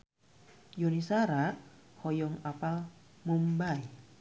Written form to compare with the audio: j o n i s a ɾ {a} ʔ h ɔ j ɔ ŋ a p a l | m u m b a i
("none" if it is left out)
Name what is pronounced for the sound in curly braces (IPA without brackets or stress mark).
a